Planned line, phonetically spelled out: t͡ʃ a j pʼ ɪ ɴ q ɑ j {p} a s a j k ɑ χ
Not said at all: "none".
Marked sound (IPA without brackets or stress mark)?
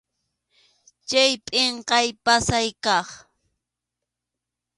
p